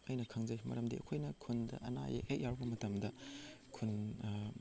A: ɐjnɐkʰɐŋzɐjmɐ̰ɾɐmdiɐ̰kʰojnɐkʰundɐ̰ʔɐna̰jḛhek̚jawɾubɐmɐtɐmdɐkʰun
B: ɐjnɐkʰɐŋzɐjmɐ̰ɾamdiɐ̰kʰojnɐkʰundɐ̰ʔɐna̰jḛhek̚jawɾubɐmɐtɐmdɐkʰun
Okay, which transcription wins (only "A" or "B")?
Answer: A